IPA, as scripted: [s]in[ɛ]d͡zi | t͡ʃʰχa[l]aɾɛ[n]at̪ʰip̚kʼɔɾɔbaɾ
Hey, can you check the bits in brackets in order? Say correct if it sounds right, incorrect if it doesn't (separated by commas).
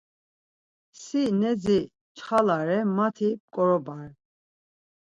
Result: correct, correct, correct, incorrect